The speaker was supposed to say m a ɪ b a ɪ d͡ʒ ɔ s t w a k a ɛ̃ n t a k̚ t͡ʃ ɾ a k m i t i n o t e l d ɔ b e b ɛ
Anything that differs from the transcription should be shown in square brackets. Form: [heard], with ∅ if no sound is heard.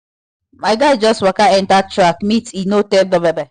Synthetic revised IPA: m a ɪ [ɡ] a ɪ d͡ʒ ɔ s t w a k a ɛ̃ n t a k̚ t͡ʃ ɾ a k m i t i n o t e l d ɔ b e b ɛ